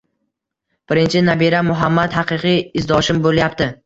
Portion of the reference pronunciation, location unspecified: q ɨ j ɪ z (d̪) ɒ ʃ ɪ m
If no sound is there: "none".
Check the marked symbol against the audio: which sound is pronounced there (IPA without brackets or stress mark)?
d̪